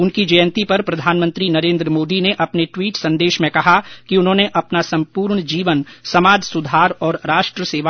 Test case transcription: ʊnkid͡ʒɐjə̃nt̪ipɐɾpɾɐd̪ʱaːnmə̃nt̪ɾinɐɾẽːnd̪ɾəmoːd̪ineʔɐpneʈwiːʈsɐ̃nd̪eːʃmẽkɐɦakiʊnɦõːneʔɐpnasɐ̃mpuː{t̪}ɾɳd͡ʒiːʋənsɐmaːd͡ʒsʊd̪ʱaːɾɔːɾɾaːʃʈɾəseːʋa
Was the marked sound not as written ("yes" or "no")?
yes